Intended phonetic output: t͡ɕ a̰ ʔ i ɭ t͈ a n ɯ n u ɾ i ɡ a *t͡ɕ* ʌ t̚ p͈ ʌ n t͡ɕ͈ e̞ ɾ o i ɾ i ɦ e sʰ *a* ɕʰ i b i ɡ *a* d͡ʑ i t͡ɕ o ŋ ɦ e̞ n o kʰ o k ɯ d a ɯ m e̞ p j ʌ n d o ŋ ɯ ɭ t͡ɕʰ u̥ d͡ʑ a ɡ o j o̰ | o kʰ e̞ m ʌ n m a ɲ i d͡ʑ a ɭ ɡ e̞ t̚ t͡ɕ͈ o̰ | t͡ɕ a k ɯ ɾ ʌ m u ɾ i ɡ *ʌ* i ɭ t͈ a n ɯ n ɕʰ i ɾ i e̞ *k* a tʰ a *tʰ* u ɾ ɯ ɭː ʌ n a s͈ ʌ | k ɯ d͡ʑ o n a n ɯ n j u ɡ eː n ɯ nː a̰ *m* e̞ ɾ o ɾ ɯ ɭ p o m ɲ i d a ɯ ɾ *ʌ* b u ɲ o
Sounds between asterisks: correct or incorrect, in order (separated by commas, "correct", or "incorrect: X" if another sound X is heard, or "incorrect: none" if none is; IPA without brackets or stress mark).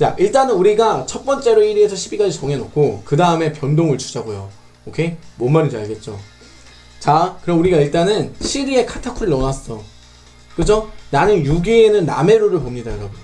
incorrect: t͡ɕʰ, incorrect: ʌ, correct, incorrect: a, incorrect: kʰ, incorrect: kʰ, correct, correct